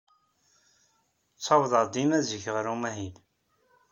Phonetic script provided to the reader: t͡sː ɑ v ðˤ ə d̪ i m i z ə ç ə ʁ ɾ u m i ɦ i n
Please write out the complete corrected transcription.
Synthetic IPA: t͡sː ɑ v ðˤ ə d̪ i m æ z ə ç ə ʁ ɾ u m æ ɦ i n